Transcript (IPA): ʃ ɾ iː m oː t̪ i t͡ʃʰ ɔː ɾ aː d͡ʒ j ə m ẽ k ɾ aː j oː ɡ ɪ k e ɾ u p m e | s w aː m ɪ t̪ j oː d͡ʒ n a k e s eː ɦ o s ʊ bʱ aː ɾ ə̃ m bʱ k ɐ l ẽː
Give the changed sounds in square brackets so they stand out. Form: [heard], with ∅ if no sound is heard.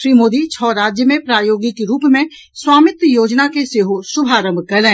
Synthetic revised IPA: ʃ ɾ iː m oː [d̪] i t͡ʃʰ ɔː ɾ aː d͡ʒ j ə m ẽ [p] ɾ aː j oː ɡ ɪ k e ɾ [uː] p m [ẽ] | s w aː m ɪ t̪ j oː d͡ʒ n a k e s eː ɦ o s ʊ bʱ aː ɾ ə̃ m bʱ k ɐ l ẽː